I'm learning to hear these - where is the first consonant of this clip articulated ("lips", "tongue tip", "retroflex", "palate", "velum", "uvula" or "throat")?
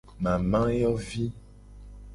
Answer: lips